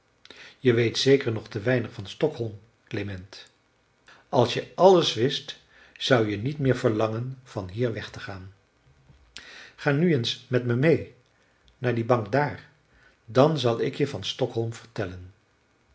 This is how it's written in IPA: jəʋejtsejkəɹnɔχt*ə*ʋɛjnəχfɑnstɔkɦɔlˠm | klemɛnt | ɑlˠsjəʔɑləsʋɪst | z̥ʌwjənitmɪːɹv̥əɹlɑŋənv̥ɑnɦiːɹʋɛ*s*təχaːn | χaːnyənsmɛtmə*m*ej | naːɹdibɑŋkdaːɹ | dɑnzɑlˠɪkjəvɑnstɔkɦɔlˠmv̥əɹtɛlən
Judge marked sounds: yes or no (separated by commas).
yes, no, yes